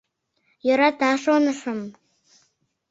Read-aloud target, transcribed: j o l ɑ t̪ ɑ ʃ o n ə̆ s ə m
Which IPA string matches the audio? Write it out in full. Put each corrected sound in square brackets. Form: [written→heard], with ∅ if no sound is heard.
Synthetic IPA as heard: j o [l→ɾ] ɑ t̪ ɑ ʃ o n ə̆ [s→ʃ] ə m

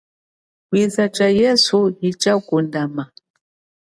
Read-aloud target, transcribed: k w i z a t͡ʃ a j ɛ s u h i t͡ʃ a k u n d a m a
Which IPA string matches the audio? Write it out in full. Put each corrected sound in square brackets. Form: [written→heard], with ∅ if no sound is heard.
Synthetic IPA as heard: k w i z a t͡ʃ a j ɛ s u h i t͡ʃ a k u n d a m a

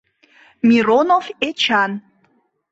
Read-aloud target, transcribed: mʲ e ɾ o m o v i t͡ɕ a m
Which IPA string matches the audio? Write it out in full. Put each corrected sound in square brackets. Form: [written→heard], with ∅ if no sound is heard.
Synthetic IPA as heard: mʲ [e→i] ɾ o [m→n] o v [i→e] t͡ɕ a [m→n]

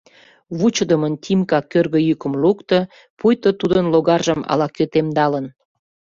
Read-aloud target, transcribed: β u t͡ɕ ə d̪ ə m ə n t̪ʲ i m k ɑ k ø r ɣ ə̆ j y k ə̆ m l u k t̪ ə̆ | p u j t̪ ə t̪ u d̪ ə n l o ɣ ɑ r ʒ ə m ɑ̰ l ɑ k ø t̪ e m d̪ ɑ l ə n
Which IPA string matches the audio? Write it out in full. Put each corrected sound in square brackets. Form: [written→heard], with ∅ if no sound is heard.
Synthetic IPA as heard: β u t͡ɕ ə d̪ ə m ə n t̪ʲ i m k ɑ k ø r ɣ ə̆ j y k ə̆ m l u k t̪ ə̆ | p u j t̪ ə t̪ u d̪ ə n l o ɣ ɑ r ʒ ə m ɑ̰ l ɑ k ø t̪ e m d̪ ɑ l ə n

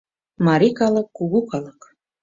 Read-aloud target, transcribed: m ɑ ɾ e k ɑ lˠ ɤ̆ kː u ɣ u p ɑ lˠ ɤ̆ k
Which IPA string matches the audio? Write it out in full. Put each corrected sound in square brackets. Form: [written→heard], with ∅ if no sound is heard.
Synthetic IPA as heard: m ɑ ɾ [e→i] k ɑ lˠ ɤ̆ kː u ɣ u [p→k] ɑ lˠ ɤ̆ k

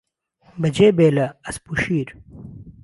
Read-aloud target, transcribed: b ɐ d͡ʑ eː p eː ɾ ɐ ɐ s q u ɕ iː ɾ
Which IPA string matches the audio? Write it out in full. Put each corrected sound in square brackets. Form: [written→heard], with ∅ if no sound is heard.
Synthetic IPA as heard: b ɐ d͡ʑ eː [p→b] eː [ɾ→l] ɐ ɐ s [q→p] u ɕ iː ɾ

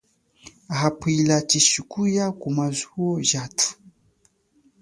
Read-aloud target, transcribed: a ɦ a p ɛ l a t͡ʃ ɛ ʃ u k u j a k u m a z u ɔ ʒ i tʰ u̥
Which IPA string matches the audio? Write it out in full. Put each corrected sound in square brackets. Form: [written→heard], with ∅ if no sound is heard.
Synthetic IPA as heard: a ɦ a p [ɛ→i] l a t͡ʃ [ɛ→i] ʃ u k u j a k u m a z u ɔ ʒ [i→a] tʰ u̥

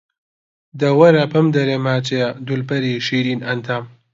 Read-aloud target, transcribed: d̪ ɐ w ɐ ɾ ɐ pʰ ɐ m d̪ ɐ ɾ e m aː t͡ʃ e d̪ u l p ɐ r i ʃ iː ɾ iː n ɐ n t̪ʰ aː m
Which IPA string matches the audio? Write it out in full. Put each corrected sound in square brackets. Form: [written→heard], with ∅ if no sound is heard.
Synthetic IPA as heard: d̪ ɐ w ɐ ɾ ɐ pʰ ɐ m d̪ ɐ ɾ e m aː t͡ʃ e d̪ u l p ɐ [r→ɾ] i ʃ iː ɾ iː n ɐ n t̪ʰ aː m

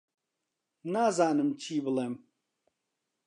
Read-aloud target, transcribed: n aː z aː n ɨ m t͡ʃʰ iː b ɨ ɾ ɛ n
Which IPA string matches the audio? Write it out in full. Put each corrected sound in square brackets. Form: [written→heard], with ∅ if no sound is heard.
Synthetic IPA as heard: n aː z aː n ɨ m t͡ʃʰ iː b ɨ [ɾ→l] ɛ [n→m]

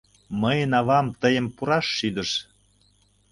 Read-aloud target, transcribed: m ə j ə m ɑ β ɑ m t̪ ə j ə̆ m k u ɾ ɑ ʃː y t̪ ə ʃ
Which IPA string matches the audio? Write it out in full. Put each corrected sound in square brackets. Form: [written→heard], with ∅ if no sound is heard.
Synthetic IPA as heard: m ə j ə [m→n] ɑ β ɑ m t̪ ə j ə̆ m [k→p] u ɾ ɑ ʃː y [t̪→d̪] ə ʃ

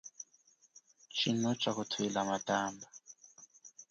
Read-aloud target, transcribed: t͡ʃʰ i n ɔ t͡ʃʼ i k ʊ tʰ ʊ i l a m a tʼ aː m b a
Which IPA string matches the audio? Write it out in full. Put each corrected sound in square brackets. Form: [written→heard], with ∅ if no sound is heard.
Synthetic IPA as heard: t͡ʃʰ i n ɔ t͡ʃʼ [i→a] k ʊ tʰ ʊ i l a m a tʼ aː m b a

